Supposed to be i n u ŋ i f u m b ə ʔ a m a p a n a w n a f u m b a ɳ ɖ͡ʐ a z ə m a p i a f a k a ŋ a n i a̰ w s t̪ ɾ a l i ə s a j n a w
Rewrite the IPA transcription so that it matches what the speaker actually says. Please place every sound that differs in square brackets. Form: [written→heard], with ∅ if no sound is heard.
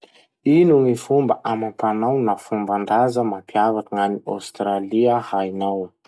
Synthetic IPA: i n u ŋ i f u m b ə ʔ a m a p a n a w n a f u m b a ɳ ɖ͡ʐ a z ə m a p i a [f→v] a k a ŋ a n i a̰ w s t̪ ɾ a l i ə [s→h] a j n a w